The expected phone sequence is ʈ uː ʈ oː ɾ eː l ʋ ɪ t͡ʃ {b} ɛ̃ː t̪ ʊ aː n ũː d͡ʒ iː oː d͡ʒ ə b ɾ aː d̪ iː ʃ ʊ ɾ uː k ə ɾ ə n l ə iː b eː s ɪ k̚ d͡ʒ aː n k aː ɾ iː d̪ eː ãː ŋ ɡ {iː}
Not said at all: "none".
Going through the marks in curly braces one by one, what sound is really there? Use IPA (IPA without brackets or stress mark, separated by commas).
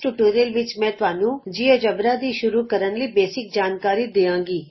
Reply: m, iː